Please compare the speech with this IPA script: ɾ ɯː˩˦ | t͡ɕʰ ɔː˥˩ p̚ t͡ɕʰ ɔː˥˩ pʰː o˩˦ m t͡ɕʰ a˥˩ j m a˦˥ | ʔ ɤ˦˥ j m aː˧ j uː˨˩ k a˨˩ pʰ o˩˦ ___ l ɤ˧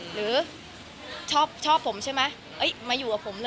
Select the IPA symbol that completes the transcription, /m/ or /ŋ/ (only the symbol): m